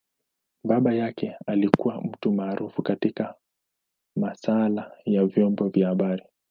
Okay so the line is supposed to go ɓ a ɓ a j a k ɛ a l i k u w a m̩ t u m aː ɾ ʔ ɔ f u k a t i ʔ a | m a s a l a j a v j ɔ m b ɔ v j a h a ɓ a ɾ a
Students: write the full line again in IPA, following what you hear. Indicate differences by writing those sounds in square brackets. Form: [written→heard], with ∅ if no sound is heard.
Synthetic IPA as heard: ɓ a ɓ a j a k ɛ a l i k u w a m̩ t u m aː ɾ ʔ [ɔ→u] f u k a t i [ʔ→k] a | m a s a l a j a v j ɔ m b ɔ v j a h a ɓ a ɾ [a→i]